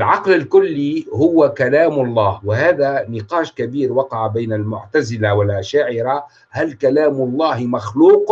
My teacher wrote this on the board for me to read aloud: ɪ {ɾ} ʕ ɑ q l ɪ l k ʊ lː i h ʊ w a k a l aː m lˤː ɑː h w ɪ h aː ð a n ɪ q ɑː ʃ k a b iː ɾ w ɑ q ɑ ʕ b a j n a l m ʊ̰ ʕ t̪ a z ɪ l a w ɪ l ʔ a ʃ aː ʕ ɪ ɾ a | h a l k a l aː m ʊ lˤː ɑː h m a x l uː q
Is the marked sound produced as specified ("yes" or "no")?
no